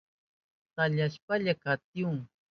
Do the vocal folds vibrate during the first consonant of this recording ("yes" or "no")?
no